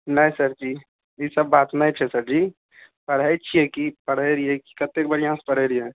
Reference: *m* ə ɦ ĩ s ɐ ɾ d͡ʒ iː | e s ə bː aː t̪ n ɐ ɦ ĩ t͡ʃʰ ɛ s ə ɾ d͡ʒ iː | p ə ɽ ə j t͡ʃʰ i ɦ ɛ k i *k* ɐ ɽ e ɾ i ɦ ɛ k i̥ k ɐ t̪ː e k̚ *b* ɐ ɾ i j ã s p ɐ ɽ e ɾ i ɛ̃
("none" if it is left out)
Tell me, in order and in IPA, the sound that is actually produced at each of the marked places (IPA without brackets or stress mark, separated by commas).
n, p, b